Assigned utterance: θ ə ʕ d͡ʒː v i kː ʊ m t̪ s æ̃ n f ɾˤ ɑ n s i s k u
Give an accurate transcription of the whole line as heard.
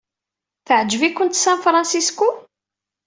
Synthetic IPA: θ ə ʕ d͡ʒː v i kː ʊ n t̪ s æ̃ n f ɾˤ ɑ n s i s k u